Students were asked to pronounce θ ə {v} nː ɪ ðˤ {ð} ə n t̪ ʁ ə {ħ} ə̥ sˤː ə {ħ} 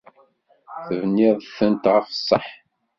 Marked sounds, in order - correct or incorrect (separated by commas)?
correct, incorrect, incorrect, correct